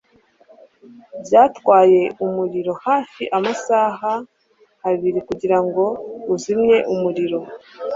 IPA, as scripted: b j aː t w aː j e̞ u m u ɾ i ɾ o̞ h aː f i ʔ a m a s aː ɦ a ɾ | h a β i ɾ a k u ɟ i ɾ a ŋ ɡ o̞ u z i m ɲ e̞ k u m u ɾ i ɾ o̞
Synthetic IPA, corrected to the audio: b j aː t w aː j e̞ u m u ɾ i ɾ o̞ h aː f i ʔ a m a s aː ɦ a | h a β i ɾ i k u ɟ i ɾ a ŋ ɡ o̞ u z i m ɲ e̞ ʔ u m u ɾ i ɾ o̞